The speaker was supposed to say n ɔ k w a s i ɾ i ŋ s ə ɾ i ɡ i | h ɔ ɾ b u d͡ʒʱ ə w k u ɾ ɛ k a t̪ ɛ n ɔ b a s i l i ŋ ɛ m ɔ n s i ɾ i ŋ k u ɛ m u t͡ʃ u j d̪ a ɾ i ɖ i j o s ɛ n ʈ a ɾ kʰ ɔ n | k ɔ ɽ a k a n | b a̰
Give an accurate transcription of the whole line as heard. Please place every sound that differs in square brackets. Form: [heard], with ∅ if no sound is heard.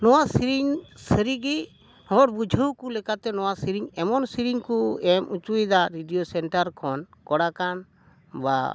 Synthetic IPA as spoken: n ɔ [∅] w a s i ɾ i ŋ s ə ɾ i ɡ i | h ɔ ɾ b u d͡ʒʱ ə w k u [l] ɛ k a t̪ ɛ n ɔ [w] a s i [ɾ] i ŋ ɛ m ɔ n s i ɾ i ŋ k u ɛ m u t͡ʃ u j d̪ a ɾ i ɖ i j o s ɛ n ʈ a ɾ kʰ ɔ n | k ɔ ɽ a k a n | b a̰